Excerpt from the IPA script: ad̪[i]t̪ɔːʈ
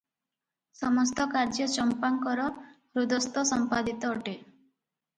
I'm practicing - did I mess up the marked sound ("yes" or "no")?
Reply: no